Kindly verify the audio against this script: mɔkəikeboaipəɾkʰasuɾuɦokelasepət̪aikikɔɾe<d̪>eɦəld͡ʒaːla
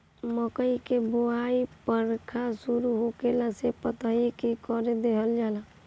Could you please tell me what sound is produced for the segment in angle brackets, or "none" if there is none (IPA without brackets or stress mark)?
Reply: d̪